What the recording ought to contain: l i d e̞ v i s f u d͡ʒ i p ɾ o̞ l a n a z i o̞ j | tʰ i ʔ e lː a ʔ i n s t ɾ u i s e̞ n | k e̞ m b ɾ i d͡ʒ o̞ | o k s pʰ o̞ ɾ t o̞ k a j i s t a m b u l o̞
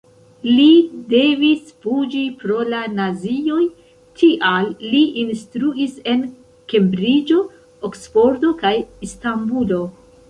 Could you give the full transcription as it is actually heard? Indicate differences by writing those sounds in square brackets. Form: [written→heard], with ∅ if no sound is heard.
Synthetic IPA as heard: l i d e̞ v i s f u d͡ʒ i p ɾ o̞ l a n a z i o̞ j | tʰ i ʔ [e→a] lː [a→i] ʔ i n s t ɾ u i s e̞ n | k e̞ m b ɾ i d͡ʒ o̞ | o k s [pʰ→p] o̞ ɾ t o̞ k a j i s t a m b u l o̞